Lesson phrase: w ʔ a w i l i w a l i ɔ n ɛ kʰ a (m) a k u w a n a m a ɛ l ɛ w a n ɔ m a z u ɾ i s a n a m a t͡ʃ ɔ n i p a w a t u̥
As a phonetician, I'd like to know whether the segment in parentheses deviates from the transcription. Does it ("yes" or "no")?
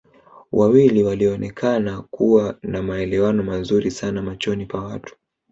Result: yes